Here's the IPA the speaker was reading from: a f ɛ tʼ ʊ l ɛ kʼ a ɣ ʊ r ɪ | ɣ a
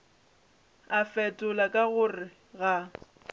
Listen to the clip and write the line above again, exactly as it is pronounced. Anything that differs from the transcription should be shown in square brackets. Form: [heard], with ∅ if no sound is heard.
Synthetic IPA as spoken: a f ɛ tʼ ʊ l [a] kʼ a ɣ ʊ r ɪ | ɣ a